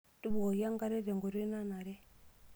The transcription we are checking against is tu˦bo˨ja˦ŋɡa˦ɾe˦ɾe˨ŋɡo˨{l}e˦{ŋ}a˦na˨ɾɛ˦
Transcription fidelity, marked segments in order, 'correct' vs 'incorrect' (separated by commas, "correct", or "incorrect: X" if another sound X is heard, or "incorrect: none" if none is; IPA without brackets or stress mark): incorrect: ɾ, incorrect: n